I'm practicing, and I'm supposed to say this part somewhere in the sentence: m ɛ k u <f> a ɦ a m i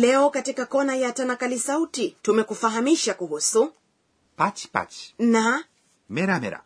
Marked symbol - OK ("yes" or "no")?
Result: yes